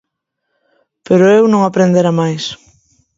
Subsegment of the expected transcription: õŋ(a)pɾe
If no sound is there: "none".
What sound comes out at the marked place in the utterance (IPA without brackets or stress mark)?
a